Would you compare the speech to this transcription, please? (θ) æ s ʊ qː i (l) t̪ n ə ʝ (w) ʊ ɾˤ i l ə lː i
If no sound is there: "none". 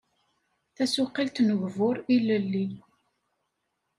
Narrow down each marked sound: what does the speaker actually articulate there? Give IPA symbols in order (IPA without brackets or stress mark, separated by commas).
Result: θ, l, v